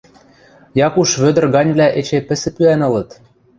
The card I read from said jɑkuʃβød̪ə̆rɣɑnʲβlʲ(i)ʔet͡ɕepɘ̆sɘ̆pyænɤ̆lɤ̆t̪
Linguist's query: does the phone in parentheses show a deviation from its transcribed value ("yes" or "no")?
yes